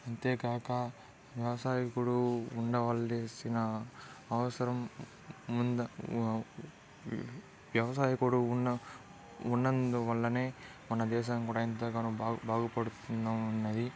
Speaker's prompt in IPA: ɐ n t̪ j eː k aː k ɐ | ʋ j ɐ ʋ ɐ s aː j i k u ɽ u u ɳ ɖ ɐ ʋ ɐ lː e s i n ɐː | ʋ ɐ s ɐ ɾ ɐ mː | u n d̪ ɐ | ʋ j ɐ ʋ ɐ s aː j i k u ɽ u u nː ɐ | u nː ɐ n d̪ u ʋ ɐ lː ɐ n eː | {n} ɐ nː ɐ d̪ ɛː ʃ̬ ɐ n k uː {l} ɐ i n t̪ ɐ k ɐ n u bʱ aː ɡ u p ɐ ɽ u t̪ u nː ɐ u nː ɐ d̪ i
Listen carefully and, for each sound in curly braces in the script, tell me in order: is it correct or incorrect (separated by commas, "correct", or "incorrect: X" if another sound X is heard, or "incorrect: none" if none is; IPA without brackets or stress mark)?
incorrect: m, incorrect: ɽ